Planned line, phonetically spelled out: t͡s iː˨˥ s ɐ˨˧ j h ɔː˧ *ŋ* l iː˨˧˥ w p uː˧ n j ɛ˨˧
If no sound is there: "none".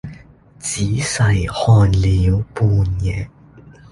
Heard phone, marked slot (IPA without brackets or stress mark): n